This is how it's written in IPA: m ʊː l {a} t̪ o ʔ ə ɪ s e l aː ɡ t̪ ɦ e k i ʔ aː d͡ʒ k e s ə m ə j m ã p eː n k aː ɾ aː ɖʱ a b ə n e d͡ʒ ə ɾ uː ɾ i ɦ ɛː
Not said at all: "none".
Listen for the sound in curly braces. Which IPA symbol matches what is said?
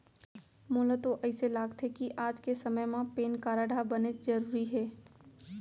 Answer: ə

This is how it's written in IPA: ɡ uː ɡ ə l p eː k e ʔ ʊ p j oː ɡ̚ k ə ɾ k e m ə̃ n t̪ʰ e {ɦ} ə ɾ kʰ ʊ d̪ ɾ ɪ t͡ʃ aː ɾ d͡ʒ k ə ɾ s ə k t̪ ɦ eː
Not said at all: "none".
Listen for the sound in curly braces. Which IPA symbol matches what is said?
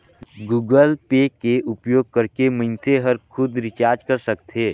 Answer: ɦ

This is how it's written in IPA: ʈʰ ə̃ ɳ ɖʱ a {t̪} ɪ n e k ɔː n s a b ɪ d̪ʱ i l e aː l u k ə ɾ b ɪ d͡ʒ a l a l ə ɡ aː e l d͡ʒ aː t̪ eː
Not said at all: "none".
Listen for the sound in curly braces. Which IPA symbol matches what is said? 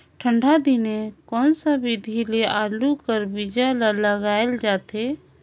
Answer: d̪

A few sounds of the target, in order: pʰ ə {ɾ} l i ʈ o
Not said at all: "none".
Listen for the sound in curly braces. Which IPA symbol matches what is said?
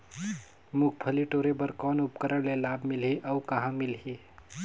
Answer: none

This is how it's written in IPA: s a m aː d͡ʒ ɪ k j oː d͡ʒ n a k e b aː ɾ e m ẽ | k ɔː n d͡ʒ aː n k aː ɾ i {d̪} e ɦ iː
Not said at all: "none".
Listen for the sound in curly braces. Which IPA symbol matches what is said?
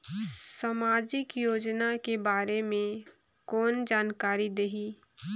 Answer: d̪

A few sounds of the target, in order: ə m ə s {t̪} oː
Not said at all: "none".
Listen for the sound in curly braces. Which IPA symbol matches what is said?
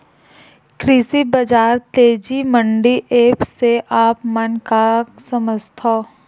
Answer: t̪ʰ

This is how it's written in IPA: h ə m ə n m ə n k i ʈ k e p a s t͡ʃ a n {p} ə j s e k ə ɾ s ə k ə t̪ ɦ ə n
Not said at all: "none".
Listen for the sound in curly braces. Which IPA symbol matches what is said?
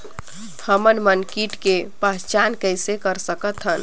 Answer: k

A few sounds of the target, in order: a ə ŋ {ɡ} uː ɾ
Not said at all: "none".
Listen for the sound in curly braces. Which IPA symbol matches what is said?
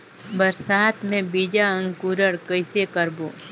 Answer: k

